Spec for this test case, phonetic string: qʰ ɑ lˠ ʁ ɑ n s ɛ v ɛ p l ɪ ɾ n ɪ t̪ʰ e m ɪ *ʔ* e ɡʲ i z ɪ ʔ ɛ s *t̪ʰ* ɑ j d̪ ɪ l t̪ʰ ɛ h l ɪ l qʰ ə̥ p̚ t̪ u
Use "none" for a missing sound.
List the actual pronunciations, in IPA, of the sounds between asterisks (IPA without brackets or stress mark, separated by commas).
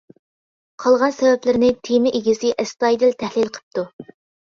ʔ, t̪